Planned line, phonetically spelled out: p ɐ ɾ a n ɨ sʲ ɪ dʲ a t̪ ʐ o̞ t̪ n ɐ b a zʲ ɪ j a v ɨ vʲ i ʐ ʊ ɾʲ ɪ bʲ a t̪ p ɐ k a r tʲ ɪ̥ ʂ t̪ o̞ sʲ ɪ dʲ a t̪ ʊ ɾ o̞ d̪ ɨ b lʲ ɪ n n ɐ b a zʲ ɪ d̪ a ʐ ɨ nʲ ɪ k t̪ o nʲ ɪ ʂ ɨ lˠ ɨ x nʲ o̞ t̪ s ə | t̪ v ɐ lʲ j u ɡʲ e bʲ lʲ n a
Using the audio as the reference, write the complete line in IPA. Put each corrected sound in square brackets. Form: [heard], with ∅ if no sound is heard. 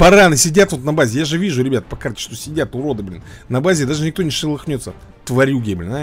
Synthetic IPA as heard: p ɐ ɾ a n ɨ sʲ ɪ dʲ a t̪ [v] o̞ t̪ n ɐ b a zʲ ɪ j a [ʐ] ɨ vʲ i ʐ ʊ ɾʲ ɪ bʲ a t̪ p ɐ k a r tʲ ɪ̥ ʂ t̪ o̞ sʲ ɪ dʲ a t̪ ʊ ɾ o̞ d̪ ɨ b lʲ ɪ n n ɐ b a zʲ ɪ d̪ a ʐ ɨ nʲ ɪ k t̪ o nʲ ɪ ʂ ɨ lˠ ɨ x nʲ o̞ t̪ s ə | t̪ v ɐ [ɾʲ] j u ɡʲ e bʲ lʲ n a